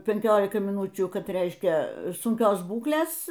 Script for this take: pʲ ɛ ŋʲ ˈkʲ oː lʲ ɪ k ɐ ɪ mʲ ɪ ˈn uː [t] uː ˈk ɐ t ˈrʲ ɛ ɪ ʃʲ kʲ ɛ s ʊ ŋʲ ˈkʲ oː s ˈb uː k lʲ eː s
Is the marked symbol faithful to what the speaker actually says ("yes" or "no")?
no